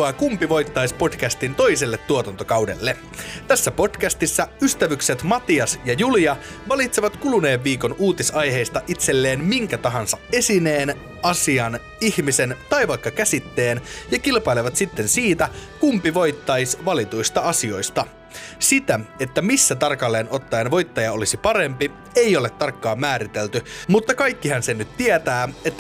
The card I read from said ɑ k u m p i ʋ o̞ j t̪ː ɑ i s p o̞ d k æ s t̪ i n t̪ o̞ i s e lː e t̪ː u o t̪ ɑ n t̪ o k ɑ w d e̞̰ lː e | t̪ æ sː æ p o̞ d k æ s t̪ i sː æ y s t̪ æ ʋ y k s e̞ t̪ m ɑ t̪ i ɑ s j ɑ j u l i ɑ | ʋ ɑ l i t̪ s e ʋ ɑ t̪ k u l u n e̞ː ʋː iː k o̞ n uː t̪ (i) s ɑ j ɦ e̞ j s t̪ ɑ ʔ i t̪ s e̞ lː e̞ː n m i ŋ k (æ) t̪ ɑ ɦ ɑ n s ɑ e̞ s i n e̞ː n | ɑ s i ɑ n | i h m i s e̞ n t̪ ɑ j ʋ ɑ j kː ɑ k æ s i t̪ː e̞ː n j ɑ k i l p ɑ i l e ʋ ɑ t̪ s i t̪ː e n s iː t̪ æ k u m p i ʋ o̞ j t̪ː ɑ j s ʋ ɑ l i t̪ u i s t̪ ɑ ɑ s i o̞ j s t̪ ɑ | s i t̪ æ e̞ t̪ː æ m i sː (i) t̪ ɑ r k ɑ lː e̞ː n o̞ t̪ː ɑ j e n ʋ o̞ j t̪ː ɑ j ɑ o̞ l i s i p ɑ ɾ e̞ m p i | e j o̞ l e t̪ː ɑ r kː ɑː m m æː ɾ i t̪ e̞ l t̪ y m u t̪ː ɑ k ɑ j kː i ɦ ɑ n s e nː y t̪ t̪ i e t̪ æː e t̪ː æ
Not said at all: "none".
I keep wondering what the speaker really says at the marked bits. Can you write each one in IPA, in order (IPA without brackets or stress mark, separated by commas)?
i, æ, æ